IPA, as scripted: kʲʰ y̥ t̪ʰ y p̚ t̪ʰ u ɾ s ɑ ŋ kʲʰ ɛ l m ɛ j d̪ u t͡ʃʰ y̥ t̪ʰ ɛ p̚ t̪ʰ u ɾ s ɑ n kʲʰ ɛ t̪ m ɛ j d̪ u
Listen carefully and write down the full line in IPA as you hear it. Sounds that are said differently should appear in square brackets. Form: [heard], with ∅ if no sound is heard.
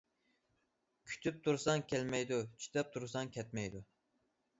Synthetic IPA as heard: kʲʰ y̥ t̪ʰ y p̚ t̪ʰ u ɾ s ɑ ŋ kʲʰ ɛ l m ɛ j d̪ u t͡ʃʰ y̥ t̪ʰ ɛ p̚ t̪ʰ u ɾ s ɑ [ŋ] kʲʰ ɛ t̪ m ɛ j d̪ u